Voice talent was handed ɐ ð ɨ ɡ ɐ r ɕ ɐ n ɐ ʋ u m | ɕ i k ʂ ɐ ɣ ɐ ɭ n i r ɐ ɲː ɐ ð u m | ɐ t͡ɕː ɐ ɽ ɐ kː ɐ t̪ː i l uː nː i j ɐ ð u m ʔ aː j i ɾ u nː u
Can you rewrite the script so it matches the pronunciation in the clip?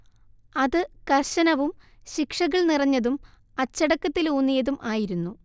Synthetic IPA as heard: ɐ ð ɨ k ɐ r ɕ ɐ n ɐ ʋ u m | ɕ i k ʂ ɐ ɣ ɐ ɭ n i r ɐ ɲː ɐ ð u m | ɐ t͡ɕː ɐ ɽ ɐ kː ɐ t̪ː i l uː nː i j ɐ ð u m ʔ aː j i ɾ u nː u